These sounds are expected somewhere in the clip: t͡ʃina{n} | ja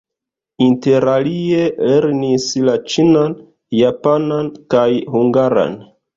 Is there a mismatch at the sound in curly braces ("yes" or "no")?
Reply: no